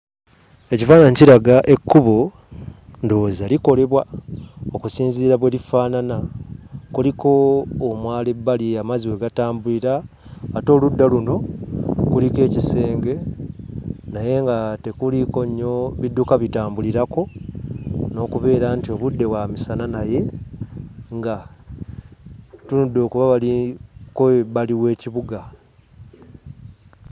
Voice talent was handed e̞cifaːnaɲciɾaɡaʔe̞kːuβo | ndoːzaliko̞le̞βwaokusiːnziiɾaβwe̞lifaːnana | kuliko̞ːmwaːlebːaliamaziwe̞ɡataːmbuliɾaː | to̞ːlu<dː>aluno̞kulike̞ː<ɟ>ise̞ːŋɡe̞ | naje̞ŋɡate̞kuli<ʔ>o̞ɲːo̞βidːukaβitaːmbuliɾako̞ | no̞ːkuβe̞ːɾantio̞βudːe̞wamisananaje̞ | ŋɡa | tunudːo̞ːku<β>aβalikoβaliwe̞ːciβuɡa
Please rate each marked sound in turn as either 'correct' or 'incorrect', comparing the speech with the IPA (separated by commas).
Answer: correct, incorrect, incorrect, correct